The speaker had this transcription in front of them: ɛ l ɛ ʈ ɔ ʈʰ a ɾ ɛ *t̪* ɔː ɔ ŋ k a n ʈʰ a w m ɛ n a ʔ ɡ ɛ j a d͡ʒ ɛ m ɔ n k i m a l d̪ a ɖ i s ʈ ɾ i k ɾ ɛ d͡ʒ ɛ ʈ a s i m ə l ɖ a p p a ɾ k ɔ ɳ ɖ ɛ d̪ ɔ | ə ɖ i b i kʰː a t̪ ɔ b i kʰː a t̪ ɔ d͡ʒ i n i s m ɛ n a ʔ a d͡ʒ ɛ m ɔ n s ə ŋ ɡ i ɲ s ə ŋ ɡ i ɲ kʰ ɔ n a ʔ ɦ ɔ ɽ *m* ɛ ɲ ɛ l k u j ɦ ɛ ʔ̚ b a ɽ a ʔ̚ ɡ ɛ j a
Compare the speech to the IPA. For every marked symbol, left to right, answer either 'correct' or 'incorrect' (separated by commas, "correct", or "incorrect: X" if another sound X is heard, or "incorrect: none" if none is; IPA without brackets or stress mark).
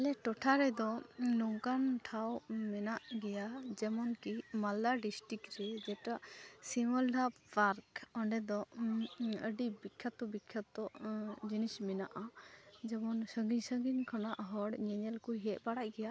incorrect: d̪, incorrect: ɲ